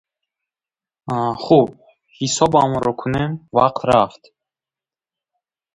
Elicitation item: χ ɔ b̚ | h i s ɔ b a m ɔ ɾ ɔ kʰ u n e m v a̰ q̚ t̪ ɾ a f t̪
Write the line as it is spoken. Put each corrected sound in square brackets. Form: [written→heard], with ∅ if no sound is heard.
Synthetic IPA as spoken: χ [ɔ→u] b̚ | h i s ɔ b a m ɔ ɾ ɔ kʰ u n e m v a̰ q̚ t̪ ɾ a f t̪